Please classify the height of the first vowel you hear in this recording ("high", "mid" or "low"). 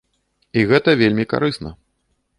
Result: high